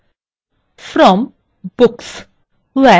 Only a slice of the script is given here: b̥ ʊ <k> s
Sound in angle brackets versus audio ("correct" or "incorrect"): correct